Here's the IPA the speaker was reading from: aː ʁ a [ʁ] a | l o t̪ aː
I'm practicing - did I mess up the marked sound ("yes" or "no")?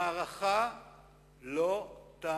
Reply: yes